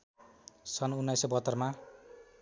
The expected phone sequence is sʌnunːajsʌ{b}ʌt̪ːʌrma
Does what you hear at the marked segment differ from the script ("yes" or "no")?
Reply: no